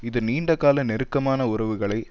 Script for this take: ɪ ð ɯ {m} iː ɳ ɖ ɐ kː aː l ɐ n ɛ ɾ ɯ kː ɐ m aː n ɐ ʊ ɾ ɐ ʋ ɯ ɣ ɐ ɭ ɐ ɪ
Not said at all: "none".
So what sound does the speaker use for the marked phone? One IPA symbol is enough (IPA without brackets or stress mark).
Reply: n